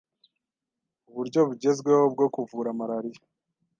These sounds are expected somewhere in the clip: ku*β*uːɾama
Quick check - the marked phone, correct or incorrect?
incorrect